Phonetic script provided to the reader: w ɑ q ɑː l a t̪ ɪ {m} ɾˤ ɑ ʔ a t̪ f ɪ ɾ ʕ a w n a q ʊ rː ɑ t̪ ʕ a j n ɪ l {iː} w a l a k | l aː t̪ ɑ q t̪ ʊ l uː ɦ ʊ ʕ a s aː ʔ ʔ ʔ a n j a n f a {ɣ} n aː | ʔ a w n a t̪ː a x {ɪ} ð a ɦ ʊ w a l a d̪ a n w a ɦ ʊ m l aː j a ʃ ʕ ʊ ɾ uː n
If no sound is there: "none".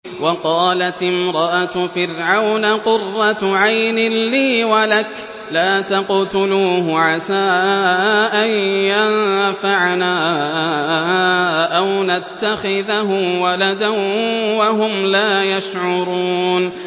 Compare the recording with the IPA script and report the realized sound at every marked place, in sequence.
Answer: m, iː, ʕ, ɪ

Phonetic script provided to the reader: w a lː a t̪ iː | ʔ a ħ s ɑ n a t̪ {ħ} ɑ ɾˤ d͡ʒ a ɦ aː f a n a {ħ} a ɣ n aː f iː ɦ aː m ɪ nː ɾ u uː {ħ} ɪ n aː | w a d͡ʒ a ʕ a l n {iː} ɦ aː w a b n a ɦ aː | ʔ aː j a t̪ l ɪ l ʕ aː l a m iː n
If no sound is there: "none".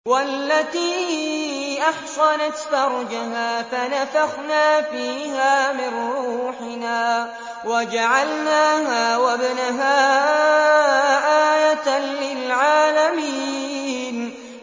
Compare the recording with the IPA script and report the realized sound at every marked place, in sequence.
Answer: f, f, ħ, aː

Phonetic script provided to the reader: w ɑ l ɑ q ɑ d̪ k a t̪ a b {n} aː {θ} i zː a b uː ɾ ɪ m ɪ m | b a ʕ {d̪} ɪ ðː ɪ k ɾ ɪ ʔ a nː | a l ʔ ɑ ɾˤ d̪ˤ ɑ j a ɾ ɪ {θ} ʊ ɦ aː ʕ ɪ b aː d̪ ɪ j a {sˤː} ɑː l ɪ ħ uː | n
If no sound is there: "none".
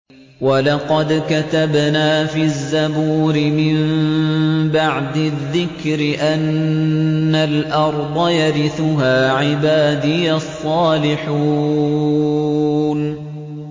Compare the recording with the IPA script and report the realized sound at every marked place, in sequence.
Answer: n, f, d̪, θ, sˤː

